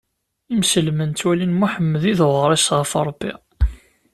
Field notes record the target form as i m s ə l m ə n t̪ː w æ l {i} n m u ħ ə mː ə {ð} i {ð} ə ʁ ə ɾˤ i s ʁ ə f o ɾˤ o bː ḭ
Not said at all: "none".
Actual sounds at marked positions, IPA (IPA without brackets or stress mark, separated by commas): i, ð, ð